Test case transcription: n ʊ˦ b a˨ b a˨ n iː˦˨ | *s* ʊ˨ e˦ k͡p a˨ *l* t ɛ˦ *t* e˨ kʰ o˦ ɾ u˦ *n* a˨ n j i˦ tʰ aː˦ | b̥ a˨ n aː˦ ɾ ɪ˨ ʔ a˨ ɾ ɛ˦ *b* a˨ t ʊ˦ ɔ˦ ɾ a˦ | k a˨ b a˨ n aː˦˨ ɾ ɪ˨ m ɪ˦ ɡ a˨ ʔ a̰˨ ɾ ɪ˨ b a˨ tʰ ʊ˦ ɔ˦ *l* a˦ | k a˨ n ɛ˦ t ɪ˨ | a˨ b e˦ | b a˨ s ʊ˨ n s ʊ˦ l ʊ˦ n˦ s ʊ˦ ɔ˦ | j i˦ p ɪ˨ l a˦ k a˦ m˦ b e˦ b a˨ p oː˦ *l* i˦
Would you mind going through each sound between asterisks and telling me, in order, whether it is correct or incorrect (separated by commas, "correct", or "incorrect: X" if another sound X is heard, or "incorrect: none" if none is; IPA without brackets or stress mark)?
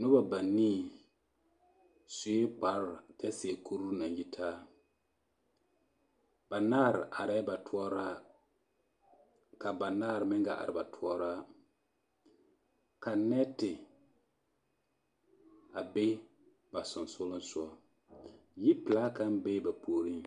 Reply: correct, incorrect: ɾ, incorrect: s, correct, correct, incorrect: ɾ, incorrect: ɾ